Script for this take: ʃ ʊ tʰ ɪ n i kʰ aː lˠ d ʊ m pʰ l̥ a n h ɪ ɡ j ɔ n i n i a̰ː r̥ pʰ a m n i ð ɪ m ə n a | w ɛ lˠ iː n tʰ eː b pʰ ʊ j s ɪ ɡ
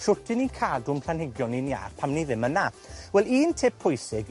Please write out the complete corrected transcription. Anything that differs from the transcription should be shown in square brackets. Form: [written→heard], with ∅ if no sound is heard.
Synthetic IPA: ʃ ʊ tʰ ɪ n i kʰ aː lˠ d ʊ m pʰ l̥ a n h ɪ ɡ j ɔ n i n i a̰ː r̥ pʰ a m n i ð ɪ m ə n a | w ɛ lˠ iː n tʰ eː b pʰ ʊ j s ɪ ɡ